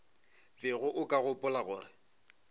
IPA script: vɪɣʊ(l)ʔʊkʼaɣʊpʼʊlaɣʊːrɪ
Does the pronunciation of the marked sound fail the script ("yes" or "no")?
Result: yes